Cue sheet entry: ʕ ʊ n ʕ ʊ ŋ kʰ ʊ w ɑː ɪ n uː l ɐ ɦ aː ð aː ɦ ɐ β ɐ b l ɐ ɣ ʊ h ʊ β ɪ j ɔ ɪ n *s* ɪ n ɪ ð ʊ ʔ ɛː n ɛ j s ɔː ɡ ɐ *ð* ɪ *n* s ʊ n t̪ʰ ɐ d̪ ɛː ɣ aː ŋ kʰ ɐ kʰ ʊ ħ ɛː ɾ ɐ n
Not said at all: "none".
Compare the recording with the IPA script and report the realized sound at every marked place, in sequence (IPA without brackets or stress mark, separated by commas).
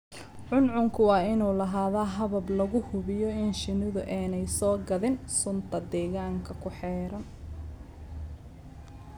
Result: ʃ, ð, n